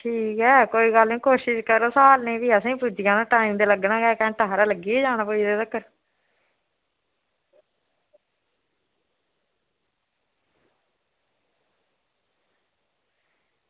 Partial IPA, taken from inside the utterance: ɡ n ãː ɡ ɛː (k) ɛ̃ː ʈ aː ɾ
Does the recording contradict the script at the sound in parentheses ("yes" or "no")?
no